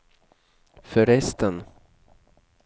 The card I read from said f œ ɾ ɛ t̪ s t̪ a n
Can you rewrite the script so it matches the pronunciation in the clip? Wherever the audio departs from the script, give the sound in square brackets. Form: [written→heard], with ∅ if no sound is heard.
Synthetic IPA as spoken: f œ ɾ ɛ [t̪→∅] s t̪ [a→ə] n